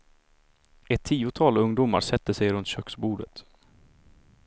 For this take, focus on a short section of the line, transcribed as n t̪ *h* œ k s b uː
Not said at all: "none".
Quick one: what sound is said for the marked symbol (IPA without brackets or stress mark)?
ɕ